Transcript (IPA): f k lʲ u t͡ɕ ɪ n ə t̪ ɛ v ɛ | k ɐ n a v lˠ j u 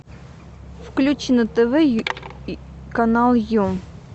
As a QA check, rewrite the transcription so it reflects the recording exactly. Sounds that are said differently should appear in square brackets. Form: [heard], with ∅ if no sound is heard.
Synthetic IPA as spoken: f k lʲ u t͡ɕ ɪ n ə t̪ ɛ v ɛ | k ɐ n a [∅] lˠ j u